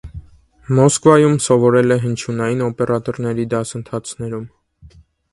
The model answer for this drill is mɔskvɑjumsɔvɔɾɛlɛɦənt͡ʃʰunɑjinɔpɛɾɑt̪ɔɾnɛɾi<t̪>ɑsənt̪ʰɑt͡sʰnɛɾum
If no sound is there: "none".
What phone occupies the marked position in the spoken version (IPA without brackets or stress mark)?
d̪